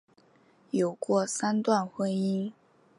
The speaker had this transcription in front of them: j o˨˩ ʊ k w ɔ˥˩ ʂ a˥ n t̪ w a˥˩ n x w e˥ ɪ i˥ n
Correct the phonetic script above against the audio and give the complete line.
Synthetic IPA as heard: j o˨˩ ʊ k w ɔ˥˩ s a˥ n t̪ w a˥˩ n x w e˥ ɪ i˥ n